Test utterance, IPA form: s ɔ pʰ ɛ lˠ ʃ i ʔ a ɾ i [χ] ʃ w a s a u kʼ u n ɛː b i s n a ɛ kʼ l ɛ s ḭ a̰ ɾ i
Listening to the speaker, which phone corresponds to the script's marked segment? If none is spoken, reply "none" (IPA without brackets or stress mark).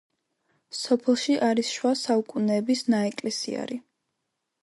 s